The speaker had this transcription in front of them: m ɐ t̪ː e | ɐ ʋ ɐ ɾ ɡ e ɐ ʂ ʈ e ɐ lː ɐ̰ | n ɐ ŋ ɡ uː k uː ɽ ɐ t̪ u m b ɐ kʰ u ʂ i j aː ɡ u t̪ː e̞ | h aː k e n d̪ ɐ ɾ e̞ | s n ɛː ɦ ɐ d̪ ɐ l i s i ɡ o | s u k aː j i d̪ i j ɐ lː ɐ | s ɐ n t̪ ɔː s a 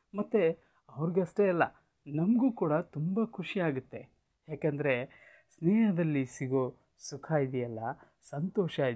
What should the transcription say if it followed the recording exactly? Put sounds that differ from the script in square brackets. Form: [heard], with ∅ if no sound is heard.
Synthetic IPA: m ɐ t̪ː e | ɐ ʋ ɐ ɾ ɡ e ɐ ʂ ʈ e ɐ lː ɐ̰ | n ɐ [m] ɡ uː k uː ɽ ɐ t̪ u m b ɐ kʰ u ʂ i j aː ɡ u t̪ː e̞ | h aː k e n d̪ ɐ ɾ e̞ | s n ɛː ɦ ɐ d̪ ɐ [lː] i s i ɡ o | s u [kʰ] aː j i d̪ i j ɐ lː ɐ | s ɐ n t̪ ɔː [ʃ] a